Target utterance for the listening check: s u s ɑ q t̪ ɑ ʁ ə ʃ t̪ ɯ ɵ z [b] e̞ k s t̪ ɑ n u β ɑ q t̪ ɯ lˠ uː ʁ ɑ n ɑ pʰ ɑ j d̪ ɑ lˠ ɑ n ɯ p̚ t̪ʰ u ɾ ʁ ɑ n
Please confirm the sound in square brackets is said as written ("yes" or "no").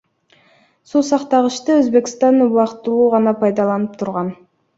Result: yes